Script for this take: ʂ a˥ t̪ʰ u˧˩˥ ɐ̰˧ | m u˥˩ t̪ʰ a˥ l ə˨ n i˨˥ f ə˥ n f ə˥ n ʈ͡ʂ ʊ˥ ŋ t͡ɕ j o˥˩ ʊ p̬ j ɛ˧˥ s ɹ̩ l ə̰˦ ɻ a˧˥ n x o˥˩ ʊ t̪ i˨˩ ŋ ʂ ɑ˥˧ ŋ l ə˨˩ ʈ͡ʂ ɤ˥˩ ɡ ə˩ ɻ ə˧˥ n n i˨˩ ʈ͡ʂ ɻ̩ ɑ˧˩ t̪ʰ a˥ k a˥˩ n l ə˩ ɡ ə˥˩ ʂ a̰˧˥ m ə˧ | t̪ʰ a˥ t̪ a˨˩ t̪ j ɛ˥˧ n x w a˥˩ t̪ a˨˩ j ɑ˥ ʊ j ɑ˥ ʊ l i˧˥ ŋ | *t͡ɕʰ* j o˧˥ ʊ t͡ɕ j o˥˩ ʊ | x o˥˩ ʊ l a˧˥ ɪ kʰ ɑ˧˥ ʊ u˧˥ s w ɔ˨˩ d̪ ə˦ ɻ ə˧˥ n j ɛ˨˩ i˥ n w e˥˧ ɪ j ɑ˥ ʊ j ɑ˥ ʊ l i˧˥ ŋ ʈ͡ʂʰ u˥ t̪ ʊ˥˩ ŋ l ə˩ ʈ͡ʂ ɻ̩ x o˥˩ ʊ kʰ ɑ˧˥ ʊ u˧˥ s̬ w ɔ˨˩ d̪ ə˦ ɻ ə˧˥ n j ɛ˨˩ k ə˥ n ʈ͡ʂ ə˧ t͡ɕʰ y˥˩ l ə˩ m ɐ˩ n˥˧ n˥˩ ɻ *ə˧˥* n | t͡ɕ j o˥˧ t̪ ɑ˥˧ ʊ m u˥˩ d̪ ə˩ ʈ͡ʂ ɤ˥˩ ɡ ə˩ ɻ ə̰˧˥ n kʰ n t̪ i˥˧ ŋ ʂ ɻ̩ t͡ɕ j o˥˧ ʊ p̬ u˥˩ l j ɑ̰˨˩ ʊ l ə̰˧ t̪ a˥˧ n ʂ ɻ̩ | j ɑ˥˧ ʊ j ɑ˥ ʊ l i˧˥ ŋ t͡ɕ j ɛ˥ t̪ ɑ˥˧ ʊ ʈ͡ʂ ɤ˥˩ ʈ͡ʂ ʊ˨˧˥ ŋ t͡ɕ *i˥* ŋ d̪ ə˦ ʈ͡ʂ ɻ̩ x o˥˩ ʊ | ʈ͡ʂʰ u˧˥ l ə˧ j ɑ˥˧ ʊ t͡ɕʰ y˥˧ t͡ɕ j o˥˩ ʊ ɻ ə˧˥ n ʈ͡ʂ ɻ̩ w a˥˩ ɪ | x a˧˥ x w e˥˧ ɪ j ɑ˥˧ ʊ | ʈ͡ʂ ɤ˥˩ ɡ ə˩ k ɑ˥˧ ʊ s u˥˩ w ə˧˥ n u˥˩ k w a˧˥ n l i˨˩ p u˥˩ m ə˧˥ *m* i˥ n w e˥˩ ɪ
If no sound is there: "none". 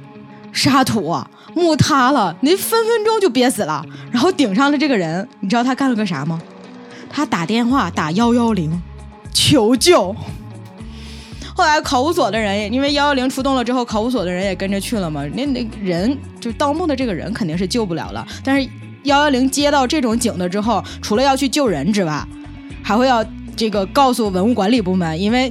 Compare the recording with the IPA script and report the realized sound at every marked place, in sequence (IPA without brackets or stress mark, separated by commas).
t͡ɕʰ, ə˧˥, i˨˩, n